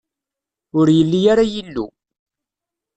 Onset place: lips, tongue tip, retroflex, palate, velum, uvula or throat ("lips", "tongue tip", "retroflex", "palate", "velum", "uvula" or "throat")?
tongue tip